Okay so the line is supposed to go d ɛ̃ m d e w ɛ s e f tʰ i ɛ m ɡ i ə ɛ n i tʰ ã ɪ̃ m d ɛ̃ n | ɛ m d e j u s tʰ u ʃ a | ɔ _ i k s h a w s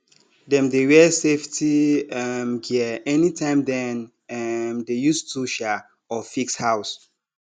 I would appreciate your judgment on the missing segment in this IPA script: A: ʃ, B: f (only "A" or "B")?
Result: B